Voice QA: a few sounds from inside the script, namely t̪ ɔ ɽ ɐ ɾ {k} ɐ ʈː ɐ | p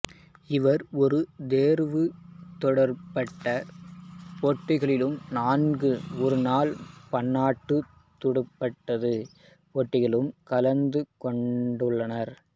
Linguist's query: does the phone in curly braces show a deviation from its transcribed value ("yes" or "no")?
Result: yes